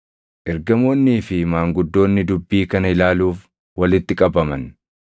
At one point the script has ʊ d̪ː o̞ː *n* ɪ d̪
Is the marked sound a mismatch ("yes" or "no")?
yes